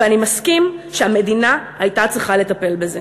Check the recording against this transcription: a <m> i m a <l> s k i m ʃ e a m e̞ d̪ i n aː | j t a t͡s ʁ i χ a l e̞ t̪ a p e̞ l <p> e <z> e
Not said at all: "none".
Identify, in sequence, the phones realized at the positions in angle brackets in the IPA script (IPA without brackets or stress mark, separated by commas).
n, none, b, z